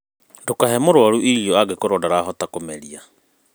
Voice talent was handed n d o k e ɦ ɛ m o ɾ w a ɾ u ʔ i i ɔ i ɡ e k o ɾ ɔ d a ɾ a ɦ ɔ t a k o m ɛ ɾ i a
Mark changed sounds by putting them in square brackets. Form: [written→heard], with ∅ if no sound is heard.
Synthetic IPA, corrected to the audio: n d o k [e→a] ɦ ɛ m o ɾ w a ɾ u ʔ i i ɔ [i→a] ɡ e k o ɾ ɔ d a ɾ a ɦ ɔ t a k o m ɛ ɾ i a